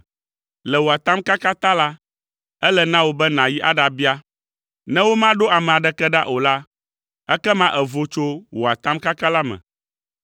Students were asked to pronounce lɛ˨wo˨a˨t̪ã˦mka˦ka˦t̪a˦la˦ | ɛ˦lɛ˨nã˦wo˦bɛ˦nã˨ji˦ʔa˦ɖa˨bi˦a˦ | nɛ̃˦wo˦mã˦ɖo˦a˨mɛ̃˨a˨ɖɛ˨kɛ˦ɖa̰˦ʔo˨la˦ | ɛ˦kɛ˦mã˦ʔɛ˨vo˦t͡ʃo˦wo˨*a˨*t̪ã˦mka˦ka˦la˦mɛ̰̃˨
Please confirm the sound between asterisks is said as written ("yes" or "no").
yes